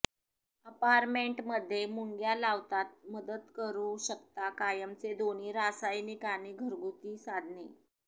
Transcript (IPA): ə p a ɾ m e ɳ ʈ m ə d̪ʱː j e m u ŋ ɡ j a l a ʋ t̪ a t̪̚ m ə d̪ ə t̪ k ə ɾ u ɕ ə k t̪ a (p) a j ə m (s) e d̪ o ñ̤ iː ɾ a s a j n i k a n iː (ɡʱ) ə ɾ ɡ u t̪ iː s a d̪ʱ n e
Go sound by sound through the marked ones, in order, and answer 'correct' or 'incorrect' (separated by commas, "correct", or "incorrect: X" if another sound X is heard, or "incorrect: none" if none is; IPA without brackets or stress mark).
incorrect: k, incorrect: t͡s, correct